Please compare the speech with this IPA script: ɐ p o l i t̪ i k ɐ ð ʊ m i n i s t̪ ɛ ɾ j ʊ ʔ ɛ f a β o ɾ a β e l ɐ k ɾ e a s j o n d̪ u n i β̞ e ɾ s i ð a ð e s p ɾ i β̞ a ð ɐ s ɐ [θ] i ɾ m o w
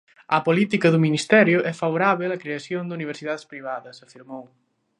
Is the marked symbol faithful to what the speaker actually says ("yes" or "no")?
no